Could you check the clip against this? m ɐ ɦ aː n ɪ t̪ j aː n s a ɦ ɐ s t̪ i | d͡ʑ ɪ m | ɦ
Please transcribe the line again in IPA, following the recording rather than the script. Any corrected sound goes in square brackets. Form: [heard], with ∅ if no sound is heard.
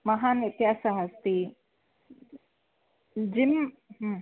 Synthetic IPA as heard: m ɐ ɦ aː n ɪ t̪ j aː [∅] s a ɦ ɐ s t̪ i | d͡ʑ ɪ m | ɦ